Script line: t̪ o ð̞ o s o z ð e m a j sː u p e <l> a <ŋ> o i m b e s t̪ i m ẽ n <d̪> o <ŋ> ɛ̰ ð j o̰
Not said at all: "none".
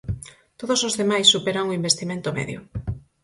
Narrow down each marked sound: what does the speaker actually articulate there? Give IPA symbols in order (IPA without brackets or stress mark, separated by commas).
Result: ɾ, ŋ, t̪, m